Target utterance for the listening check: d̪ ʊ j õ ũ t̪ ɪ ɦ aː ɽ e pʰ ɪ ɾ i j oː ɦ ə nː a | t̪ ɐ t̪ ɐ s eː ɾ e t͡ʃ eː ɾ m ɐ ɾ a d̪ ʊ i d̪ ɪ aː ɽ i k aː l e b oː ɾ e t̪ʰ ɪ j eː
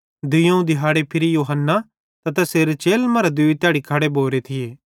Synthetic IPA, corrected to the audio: d̪ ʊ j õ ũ d̪ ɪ ɦ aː ɽ e pʰ ɪ ɾ i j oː ɦ ə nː a | t̪ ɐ t̪ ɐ s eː ɾ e t͡ʃ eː l m ɐ ɾ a d̪ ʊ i t̪ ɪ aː ɽ i kʰ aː ɽ e b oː ɾ e t̪ʰ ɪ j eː